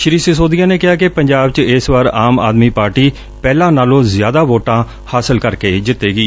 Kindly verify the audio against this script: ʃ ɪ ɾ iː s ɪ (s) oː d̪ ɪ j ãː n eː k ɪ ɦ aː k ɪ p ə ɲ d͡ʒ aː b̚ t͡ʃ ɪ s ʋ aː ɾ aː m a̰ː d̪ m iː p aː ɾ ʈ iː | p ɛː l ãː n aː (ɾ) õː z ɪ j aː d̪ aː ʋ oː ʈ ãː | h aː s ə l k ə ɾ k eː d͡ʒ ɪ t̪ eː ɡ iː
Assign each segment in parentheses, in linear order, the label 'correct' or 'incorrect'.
correct, incorrect

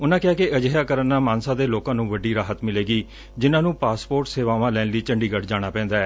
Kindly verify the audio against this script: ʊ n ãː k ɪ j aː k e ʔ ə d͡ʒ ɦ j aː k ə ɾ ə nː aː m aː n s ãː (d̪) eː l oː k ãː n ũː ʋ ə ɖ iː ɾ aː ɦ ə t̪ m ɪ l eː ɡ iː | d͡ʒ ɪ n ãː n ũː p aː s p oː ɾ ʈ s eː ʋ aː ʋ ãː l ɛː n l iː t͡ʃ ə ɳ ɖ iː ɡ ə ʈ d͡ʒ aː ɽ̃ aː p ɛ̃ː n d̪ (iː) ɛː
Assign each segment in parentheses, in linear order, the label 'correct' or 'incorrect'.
correct, incorrect

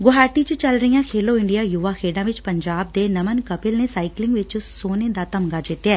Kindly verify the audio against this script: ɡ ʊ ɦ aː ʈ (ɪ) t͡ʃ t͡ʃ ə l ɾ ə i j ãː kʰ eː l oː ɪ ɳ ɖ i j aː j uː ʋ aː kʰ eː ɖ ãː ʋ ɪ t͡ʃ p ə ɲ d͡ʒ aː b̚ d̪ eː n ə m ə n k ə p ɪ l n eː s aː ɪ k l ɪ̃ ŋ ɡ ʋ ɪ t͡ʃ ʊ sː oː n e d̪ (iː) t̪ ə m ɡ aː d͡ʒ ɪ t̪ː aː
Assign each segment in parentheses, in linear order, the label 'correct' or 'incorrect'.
incorrect, incorrect

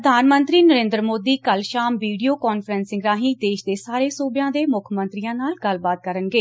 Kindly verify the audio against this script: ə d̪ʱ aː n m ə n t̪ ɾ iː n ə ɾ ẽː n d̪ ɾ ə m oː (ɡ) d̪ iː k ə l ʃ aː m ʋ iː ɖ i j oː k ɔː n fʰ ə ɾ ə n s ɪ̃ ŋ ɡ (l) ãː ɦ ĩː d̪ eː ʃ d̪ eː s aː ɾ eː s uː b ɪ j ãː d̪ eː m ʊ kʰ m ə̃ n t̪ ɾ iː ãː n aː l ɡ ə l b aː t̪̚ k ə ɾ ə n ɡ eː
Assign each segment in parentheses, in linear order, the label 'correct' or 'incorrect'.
incorrect, incorrect

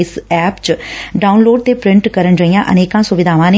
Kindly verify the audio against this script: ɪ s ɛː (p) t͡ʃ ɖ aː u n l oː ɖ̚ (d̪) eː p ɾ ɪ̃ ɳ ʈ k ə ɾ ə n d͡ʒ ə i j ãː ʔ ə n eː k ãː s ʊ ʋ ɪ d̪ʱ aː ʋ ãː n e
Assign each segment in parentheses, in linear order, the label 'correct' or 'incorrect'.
correct, incorrect

